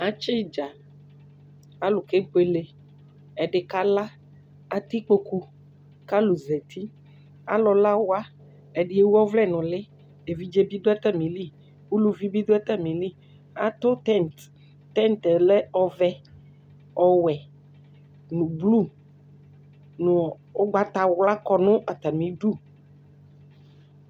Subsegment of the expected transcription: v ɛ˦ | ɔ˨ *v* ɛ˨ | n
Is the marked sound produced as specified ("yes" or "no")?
no